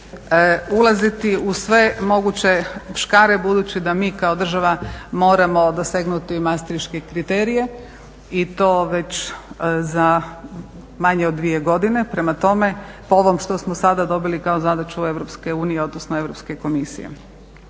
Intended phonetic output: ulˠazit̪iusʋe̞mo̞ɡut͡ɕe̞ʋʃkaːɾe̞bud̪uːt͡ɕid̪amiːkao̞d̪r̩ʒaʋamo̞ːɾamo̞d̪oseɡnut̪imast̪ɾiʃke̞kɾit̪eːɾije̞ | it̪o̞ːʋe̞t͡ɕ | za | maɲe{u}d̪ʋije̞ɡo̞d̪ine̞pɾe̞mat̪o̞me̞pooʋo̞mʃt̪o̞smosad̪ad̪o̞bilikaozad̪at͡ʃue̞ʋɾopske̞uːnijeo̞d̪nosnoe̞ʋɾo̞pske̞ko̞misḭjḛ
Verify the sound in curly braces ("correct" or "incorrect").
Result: incorrect